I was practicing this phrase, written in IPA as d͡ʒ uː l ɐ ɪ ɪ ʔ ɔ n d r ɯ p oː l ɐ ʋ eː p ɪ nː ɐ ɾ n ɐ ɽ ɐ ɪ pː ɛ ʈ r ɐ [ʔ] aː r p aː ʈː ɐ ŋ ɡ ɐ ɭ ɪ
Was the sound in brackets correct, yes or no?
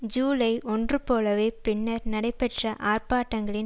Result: yes